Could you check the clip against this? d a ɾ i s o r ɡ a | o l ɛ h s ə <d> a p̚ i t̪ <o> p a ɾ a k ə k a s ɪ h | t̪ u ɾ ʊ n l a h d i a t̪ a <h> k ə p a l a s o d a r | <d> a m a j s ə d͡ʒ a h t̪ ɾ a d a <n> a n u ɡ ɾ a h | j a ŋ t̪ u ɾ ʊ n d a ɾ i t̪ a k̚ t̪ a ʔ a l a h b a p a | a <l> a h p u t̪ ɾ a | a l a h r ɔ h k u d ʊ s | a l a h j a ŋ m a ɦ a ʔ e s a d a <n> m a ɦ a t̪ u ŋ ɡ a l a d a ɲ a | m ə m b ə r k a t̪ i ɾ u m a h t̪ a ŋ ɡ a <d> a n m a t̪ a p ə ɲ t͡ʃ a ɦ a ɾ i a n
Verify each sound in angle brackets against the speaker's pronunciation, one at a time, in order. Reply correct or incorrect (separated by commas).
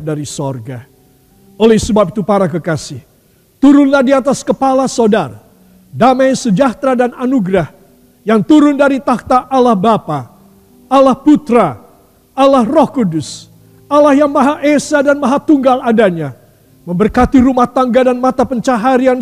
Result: incorrect, incorrect, incorrect, correct, correct, correct, correct, correct